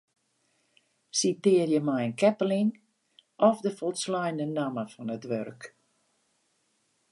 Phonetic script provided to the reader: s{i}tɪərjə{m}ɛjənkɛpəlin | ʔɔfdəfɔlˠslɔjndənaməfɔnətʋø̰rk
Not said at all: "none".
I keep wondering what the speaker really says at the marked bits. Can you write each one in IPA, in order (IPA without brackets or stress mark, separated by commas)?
i, m